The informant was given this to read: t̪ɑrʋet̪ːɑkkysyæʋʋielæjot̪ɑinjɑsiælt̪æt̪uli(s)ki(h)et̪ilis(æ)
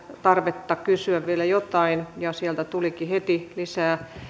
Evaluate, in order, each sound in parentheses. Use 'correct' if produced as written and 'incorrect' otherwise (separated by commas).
incorrect, correct, incorrect